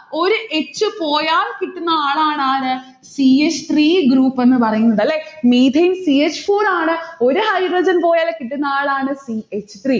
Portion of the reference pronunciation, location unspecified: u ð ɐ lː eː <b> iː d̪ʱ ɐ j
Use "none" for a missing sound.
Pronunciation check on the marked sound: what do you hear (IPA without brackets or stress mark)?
m